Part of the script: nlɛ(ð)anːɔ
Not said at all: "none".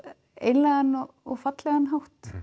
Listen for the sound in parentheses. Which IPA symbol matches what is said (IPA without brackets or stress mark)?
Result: ɣ